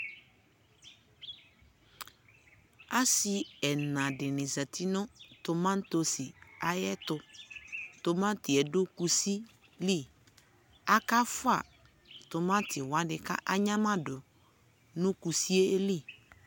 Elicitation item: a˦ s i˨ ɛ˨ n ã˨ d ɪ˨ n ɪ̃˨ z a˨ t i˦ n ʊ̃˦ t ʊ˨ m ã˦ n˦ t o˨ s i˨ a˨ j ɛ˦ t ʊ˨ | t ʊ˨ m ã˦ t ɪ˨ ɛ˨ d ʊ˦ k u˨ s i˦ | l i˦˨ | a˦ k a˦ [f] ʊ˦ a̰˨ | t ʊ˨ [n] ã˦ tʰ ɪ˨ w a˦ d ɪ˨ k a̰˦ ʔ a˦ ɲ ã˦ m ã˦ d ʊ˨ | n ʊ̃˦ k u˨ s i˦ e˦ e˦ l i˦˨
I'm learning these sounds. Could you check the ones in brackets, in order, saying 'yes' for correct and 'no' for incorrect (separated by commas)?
yes, no